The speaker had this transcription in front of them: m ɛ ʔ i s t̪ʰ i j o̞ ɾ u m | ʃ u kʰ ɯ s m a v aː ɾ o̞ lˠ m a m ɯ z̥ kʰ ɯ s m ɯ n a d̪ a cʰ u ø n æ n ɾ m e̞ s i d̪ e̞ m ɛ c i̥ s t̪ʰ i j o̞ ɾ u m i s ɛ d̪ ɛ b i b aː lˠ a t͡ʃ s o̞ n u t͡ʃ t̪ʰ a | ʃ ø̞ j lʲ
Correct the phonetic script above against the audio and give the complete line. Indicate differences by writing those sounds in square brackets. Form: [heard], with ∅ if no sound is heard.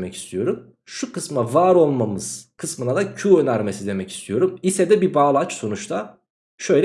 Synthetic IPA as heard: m ɛ [c] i s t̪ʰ i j o̞ ɾ u m | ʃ u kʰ ɯ s m a v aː ɾ o̞ lˠ m a m ɯ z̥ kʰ ɯ s m ɯ n a d̪ a cʰ u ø n æ [∅] ɾ m e̞ s i d̪ e̞ m ɛ c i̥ s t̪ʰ i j o̞ ɾ u m i s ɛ d̪ ɛ b i b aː lˠ a t͡ʃ s o̞ n u t͡ʃ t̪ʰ a | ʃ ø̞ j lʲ